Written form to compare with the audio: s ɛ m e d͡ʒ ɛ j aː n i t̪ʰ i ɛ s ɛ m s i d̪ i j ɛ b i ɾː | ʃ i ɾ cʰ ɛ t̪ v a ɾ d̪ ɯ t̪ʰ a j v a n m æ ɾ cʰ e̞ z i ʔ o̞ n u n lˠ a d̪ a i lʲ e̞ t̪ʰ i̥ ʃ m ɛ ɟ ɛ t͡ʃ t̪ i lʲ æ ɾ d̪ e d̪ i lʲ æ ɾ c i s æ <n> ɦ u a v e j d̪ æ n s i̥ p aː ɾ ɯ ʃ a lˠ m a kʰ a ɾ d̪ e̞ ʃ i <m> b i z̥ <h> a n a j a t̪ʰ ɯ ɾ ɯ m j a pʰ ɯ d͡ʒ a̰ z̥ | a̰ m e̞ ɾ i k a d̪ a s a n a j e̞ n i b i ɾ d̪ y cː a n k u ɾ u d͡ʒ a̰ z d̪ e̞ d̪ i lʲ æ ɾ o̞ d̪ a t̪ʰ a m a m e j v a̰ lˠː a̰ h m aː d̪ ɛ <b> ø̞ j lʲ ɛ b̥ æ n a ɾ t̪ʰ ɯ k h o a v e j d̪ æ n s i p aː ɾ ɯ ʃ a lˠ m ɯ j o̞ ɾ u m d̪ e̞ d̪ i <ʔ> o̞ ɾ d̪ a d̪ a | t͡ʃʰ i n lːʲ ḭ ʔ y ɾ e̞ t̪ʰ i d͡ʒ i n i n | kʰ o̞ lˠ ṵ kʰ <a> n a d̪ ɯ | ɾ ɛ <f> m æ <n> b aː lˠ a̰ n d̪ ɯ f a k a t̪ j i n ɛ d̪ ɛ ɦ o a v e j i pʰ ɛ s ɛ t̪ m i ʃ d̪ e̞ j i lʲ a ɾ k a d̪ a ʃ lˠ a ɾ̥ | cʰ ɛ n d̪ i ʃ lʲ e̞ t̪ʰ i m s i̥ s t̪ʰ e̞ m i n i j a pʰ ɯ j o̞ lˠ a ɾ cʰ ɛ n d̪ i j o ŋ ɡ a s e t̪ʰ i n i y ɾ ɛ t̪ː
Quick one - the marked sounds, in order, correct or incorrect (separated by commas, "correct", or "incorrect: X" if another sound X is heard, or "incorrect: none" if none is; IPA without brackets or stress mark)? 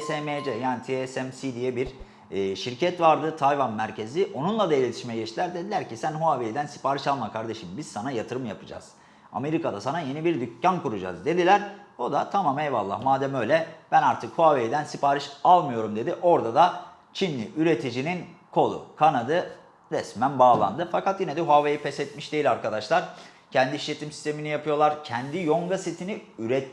correct, correct, incorrect: s, incorrect: m, correct, correct, incorrect: s, correct